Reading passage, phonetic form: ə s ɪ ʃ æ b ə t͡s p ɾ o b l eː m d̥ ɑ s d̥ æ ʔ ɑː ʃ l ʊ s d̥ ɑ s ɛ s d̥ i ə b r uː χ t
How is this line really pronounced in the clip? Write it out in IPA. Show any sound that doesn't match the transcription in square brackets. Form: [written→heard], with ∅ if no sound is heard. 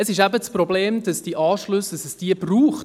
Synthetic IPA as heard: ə s ɪ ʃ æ b ə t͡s p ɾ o b l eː m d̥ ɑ s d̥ [æ→i] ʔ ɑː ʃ l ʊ s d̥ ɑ s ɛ s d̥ i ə b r uː χ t

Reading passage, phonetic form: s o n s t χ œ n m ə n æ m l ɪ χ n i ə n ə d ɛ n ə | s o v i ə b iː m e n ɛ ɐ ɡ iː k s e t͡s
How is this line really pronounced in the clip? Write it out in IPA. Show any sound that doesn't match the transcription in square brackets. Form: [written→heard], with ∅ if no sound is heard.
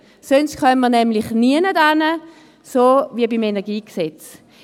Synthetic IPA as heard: s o n s t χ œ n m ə n [æ→ɛ] m l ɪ χ n i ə n ə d [ɛ→a] n ə | s o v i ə b [iː→i] m e n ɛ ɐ ɡ iː k s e t͡s

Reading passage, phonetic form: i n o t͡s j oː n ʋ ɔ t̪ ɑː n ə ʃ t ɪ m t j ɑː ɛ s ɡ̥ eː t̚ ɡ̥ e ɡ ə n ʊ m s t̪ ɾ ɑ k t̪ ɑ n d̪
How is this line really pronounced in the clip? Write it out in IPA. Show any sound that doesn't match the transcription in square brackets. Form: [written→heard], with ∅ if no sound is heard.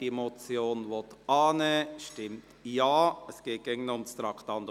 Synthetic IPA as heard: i [n→m] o t͡s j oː n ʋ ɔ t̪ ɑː n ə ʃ t ɪ m t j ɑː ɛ s ɡ̥ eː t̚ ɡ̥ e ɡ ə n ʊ m s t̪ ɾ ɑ k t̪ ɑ n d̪

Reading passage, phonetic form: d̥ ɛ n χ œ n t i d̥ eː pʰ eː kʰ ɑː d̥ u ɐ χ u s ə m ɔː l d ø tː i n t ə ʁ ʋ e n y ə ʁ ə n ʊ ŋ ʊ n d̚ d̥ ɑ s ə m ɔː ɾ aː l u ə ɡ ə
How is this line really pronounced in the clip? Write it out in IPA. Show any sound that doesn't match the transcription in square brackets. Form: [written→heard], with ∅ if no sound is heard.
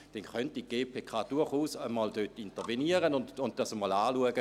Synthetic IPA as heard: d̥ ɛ n χ œ n t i [d̥→ɡ̥] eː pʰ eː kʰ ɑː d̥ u ɐ χ [u→uː] s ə m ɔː l d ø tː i n t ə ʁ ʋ e n [y→i] ə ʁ ə n ʊ [ŋ→n] ʊ n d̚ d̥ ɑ s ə m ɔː [ɾ→l] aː l u ə ɡ ə

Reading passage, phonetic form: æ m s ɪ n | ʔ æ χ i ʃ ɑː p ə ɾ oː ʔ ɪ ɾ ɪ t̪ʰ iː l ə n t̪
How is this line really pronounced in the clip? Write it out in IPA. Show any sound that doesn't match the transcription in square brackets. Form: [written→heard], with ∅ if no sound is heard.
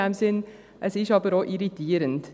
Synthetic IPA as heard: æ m s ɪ n | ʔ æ [χ→s] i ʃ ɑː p ə ɾ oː ʔ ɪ ɾ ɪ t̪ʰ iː [l→ɾ] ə n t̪

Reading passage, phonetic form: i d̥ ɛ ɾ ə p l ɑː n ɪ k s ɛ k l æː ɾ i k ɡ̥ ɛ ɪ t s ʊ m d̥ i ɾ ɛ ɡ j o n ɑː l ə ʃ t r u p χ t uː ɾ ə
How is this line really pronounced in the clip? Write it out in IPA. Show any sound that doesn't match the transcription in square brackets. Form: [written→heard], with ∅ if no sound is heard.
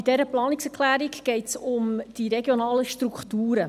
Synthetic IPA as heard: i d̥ ɛ ɾ ə p l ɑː n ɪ k s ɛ k l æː ɾ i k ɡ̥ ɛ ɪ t s ʊ m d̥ i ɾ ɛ ɡ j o n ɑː l ə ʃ t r u [p→k] χ t uː ɾ ə

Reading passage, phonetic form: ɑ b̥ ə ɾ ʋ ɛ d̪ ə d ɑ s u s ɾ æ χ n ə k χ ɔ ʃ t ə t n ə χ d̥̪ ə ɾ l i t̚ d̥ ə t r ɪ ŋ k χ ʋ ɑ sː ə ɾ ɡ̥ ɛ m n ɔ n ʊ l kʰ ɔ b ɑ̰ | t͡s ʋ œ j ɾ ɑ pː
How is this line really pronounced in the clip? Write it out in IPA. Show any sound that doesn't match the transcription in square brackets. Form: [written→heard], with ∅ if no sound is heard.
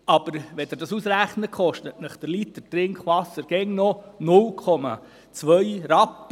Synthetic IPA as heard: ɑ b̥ ə ɾ ʋ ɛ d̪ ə d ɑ s u s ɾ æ χ n ə k χ ɔ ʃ t ə t n ə χ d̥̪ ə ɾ l i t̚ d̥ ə t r ɪ ŋ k χ ʋ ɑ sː ə ɾ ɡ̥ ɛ [m→ŋ] n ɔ n ʊ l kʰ ɔ [b→m] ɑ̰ | t͡s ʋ œ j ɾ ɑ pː

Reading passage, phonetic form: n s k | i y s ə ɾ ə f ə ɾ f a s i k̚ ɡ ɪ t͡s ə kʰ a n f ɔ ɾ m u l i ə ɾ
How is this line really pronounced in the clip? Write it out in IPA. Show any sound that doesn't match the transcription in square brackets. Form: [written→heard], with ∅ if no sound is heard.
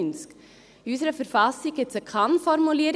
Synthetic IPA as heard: n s k | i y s ə ɾ ə f ə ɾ f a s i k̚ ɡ ɪ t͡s ə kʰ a n f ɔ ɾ m u l i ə ɾ

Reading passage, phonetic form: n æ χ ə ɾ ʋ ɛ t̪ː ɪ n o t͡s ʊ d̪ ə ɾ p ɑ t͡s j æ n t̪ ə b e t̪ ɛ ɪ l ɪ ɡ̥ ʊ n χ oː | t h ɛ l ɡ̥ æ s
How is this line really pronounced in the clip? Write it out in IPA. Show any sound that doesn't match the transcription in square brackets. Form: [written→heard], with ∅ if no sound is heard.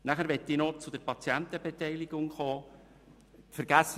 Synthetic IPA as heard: n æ χ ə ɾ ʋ ɛ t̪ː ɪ n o t͡s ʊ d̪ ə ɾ p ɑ t͡s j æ n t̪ ə b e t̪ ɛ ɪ l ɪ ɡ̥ ʊ [n→ŋ] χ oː | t [h→f] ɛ [l→ɾ] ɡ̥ æ s

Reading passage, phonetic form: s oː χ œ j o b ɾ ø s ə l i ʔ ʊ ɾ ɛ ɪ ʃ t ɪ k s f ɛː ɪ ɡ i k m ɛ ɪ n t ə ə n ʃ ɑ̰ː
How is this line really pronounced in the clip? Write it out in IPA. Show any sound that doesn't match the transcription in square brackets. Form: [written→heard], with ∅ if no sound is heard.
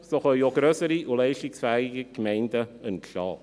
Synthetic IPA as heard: s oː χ œ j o [b→ɡ] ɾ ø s ə [l→ɾ] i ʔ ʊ [ɾ→l] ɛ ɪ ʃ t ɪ k s f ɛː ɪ ɡ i k m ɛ ɪ n [t→d] ə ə n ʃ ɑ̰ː

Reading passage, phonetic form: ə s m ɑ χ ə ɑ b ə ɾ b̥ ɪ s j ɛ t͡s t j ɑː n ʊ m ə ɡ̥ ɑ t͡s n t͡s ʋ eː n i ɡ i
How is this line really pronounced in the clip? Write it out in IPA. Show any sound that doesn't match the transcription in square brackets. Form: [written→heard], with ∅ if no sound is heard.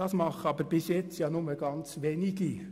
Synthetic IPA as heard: [ə→ɑ] s m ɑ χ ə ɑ b ə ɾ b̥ ɪ s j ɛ t͡s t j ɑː n ʊ m ə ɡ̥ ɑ [t͡s→∅] n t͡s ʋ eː n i ɡ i

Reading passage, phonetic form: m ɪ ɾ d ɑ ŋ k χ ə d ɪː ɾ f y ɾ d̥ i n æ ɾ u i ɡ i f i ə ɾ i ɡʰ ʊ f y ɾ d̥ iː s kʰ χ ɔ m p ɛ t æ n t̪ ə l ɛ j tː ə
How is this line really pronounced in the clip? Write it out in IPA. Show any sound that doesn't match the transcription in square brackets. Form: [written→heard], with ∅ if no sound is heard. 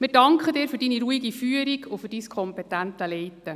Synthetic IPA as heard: m ɪ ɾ d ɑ ŋ k χ ə d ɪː ɾ f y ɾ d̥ i n [æ→i] ɾ u i ɡ i f [i→y] ə ɾ i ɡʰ ʊ f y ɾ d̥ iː s kʰ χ ɔ m p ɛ t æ n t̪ ə l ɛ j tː ə

